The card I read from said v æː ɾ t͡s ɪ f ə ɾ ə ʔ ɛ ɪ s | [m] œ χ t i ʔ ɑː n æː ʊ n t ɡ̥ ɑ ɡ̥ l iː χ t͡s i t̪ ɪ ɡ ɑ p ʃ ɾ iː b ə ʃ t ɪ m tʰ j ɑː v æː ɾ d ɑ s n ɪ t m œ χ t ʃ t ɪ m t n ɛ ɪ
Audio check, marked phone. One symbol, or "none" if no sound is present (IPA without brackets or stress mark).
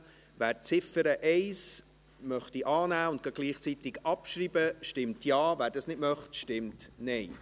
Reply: m